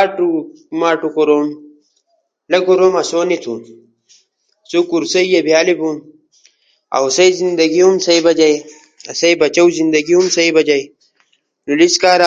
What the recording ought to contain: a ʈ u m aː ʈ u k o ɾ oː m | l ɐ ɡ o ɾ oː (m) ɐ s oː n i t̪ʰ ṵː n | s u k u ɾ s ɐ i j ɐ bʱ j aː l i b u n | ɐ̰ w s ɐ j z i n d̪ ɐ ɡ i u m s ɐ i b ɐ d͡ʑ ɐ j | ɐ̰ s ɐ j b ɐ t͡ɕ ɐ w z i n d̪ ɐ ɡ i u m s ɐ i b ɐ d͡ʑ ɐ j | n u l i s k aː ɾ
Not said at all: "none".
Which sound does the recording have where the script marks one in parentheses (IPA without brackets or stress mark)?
m